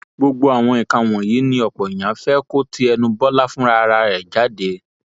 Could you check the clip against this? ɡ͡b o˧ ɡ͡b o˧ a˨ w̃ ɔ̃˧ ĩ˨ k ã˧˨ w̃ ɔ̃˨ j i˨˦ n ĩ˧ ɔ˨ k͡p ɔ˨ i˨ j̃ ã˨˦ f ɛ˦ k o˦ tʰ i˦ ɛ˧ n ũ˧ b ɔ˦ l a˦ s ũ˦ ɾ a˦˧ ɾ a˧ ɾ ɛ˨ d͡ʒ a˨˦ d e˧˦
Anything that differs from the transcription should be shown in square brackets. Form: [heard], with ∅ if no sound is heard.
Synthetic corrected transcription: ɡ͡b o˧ ɡ͡b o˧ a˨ w̃ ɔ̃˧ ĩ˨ k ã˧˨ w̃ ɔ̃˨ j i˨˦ n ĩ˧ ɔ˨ k͡p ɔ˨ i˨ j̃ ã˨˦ f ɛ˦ k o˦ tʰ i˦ ɛ˧ n ũ˧ b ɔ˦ l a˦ [f] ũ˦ ɾ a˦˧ ɾ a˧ ɾ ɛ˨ d͡ʒ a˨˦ d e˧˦